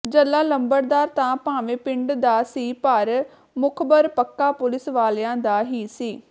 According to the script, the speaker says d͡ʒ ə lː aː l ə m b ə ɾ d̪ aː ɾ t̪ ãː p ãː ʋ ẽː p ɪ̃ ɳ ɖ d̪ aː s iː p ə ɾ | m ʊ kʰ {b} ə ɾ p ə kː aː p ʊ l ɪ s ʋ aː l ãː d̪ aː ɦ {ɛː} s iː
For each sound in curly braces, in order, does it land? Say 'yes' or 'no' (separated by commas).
yes, no